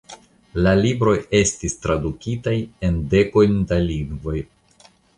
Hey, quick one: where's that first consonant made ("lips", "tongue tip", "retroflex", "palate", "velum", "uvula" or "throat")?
tongue tip